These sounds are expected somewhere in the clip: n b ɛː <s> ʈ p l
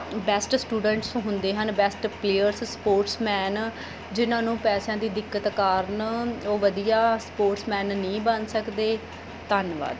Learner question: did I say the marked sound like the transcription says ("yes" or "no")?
yes